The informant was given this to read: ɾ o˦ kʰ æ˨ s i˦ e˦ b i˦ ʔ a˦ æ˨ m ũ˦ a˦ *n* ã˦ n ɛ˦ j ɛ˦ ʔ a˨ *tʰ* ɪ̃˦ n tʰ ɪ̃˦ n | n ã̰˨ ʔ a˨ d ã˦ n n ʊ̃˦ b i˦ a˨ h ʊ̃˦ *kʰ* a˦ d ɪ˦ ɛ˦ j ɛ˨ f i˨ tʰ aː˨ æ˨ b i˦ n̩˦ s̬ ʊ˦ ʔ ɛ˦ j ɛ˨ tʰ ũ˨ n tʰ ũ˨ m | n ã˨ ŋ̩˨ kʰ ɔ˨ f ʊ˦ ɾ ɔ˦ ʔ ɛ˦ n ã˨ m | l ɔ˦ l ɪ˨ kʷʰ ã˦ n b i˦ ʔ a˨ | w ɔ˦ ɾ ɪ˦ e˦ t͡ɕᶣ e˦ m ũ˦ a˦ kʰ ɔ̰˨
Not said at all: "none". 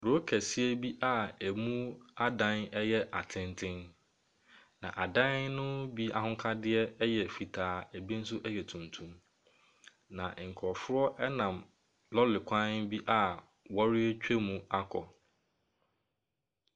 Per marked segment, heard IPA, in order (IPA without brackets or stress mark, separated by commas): d, tʰ, kʰ